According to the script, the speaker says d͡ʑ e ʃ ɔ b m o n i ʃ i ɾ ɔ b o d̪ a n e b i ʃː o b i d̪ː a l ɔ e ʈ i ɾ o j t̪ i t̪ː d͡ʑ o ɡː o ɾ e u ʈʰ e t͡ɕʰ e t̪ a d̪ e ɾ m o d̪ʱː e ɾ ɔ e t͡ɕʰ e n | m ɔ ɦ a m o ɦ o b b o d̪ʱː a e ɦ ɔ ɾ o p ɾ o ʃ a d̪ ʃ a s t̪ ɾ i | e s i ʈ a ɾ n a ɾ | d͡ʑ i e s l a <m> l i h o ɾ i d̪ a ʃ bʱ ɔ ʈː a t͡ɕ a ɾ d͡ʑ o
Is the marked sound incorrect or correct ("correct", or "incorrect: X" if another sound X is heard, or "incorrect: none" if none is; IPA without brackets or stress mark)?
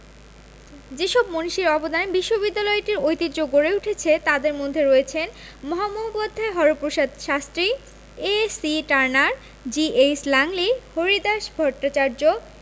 incorrect: ŋ